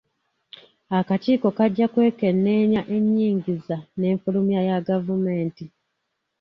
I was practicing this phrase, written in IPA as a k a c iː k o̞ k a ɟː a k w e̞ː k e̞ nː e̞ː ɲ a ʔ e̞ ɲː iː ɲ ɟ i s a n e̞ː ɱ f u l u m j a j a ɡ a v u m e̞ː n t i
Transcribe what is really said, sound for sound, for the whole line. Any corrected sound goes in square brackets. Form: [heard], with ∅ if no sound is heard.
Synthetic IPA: a k a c iː k o̞ k a ɟː a k w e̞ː k e̞ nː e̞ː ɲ a ʔ e̞ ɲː iː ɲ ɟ i [z] a n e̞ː ɱ f u l u m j a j a ɡ a v u m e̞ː n t i